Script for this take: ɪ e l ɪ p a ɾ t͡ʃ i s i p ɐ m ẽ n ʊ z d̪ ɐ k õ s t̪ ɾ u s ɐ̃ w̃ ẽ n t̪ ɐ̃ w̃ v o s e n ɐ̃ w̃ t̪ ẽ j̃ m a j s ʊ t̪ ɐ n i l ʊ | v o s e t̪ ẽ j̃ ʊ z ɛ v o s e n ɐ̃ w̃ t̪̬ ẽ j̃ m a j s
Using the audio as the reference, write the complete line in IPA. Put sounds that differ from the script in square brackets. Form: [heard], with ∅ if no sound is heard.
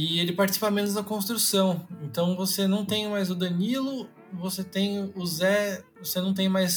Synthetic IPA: ɪ e l ɪ p a ɾ t͡ʃ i s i p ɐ m ẽ n ʊ z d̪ ɐ k õ s t̪ ɾ u s ɐ̃ w̃ ẽ n t̪ ɐ̃ w̃ v o s e n ɐ̃ w̃ t̪ ẽ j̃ m a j [z] ʊ [d̪] ɐ n i l ʊ | v o s e t̪ ẽ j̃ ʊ z ɛ v o s e n ɐ̃ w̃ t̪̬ ẽ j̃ m a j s